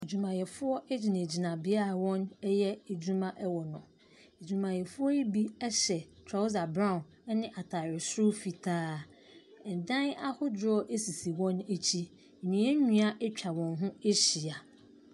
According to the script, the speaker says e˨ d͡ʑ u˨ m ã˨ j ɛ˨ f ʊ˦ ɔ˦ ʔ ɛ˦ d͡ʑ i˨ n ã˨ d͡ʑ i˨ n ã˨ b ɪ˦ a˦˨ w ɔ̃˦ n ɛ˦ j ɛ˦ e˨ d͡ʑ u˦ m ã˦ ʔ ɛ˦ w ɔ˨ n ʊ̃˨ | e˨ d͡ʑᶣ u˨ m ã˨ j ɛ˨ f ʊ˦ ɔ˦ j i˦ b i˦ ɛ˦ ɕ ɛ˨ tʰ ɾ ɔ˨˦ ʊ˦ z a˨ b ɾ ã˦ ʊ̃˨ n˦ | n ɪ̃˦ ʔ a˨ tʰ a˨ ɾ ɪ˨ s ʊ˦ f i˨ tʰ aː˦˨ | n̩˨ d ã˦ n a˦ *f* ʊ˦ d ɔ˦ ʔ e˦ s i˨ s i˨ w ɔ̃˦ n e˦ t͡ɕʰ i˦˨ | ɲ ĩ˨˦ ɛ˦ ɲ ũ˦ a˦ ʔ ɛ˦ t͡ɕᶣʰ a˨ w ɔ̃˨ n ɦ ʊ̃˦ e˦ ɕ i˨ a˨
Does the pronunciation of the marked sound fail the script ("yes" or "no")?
yes